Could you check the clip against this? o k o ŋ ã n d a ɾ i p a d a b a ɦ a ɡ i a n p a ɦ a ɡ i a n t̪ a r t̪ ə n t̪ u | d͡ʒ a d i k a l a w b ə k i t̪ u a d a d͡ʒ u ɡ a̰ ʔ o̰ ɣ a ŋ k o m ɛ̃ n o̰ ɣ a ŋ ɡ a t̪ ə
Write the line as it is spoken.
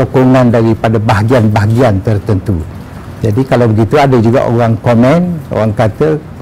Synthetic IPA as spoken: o k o ŋ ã n d a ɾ i p a d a b a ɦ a ɡ i a n b a ɦ a ɡ i a n t̪ ə r t̪ ə n t̪ u | d͡ʒ a d i k a l a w b ə ɡ i t̪ u a d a d͡ʒ u ɡ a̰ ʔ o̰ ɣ a ŋ k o m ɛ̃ n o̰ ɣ a ŋ k a t̪ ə